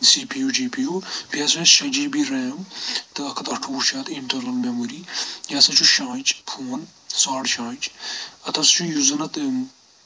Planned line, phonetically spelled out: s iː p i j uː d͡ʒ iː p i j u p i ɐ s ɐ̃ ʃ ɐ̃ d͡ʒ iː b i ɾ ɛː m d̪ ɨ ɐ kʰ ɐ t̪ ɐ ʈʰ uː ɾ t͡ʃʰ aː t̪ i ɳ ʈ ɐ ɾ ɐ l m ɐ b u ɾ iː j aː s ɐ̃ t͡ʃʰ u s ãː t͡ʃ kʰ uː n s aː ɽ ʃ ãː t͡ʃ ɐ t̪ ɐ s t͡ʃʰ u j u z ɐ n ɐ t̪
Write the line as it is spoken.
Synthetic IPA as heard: s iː p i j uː d͡ʒ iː p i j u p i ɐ s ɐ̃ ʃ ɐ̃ d͡ʒ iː b i ɾ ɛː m t̪ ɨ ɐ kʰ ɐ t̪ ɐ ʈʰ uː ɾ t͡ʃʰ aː t̪ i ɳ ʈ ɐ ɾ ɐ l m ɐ m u ɾ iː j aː s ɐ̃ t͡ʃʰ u ʃ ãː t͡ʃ pʰ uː n s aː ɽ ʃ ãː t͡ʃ ɐ t̪ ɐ s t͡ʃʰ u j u z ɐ n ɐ t̪

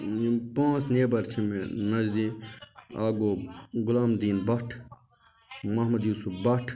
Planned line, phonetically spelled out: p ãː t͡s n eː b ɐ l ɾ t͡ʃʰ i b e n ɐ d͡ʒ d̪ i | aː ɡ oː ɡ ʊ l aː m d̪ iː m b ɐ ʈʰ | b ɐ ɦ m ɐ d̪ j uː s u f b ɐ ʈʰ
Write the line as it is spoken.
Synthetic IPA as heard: p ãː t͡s n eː b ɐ ɾ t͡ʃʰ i m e n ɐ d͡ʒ d̪ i | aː ɡ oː ɡ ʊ l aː m d̪ iː n b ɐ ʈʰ | m ɐ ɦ m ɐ d̪ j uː s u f b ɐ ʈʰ

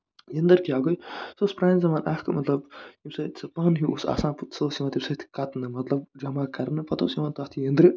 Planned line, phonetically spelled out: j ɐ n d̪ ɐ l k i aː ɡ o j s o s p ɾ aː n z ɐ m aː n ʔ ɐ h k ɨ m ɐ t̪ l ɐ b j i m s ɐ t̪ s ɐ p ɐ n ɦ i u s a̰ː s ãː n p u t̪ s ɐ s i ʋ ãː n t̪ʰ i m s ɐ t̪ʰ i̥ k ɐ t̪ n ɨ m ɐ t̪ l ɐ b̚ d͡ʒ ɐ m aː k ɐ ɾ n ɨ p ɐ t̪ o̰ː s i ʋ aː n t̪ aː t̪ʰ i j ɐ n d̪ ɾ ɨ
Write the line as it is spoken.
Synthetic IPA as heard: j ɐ n d̪ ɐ ɾ k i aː ɡ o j s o s p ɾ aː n z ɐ m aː n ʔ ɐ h k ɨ m ɐ t̪ l ɐ b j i m s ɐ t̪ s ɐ p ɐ n ɦ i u s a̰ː s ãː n p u t̪ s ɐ s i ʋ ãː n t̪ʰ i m s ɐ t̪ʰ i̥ k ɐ t̪ n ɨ m ɐ t̪ l ɐ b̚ d͡ʒ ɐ m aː k ɐ ɾ n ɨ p ɐ t̪ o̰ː s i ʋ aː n t̪ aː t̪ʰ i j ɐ n d̪ ɾ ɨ

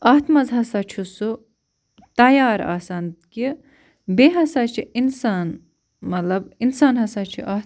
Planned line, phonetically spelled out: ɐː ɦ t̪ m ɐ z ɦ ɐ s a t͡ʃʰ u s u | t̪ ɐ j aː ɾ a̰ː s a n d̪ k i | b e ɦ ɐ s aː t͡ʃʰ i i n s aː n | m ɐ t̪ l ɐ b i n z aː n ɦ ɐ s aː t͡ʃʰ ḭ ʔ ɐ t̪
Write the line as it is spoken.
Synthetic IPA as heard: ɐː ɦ t̪ m ɐ z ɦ ɐ s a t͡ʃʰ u s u | t̪ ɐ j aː ɾ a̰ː s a n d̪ k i | b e ɦ ɐ s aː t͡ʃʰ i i n s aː n | m ɐ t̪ l ɐ b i n s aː n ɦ ɐ s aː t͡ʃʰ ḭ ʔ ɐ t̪

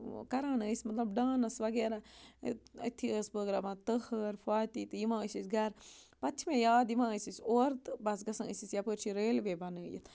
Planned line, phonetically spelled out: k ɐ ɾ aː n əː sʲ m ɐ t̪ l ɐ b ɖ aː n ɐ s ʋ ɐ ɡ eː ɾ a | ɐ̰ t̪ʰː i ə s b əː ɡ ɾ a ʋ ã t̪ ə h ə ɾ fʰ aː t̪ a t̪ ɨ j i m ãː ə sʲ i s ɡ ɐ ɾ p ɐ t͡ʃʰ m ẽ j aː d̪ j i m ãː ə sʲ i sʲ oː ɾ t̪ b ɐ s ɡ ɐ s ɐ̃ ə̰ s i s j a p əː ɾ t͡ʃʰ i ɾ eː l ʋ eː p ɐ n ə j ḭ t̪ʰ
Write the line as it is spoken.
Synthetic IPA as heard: k ɐ ɾ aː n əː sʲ m ɐ t̪ l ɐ b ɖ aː n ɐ s ʋ ɐ ɡ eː ɾ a | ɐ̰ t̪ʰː i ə s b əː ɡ ɾ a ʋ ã t̪ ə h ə ɾ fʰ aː t̪ i t̪ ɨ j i m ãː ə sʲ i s ɡ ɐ ɾ p ɐ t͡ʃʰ m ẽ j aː d̪ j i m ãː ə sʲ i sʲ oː ɾ t̪ b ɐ s ɡ ɐ s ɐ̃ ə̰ s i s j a p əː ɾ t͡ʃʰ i ɾ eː l ʋ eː b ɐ n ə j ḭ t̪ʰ

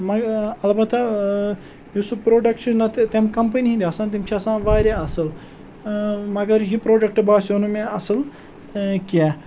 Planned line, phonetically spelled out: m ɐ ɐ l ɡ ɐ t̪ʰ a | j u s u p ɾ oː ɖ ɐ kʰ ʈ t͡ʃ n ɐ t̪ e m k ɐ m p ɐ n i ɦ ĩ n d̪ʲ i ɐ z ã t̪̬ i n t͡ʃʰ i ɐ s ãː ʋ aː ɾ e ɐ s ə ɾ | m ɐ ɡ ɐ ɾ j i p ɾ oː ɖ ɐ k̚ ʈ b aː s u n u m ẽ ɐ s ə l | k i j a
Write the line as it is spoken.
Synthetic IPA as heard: m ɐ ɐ l b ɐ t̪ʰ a | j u s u p ɾ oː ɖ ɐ k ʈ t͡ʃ n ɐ t̪ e m k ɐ m p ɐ n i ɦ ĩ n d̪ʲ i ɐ s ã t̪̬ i m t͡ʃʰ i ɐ s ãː ʋ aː ɾ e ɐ s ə l | m ɐ ɡ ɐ ɾ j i p ɾ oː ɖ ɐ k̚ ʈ b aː s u n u m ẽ ɐ s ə l | k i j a

